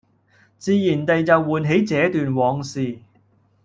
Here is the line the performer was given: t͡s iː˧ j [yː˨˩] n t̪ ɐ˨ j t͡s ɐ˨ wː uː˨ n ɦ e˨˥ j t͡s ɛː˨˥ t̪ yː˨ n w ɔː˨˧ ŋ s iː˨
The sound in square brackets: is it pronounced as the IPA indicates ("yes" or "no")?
no